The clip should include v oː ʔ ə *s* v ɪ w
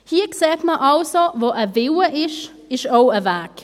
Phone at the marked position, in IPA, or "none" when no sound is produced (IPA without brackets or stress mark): none